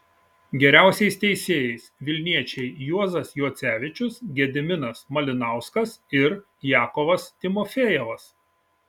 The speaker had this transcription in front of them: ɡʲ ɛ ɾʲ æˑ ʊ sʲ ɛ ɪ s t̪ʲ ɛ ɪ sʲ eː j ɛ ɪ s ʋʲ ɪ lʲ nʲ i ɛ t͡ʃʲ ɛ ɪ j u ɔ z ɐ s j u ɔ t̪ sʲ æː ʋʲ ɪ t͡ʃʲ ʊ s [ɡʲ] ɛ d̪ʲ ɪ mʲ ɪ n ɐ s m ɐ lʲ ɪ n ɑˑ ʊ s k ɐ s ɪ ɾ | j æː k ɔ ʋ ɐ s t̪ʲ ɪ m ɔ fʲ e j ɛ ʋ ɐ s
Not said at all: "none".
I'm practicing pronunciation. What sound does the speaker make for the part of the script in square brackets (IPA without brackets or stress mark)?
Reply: ɡʲ